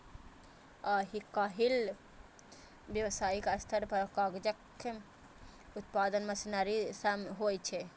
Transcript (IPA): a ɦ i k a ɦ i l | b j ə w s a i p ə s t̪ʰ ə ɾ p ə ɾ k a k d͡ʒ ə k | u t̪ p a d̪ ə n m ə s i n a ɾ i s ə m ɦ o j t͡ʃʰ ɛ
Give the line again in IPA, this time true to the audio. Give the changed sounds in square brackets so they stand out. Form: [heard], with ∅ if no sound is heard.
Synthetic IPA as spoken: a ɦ i k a ɦ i l | b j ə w s a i [k] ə s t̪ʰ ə ɾ p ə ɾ k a [ɡ] d͡ʒ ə k | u t̪ p a d̪ ə n m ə s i n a ɾ i s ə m ɦ o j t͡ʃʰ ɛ